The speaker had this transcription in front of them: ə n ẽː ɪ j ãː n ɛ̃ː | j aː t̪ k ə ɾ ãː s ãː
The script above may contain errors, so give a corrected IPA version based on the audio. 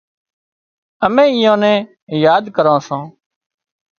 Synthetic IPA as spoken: ə m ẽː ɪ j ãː n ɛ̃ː | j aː d̪ k ə ɾ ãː s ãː